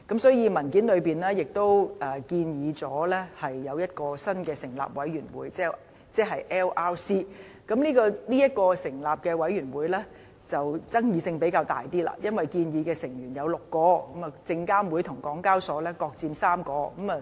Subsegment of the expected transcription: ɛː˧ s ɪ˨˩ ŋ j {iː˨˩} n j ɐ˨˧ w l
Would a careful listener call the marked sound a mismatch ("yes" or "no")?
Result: yes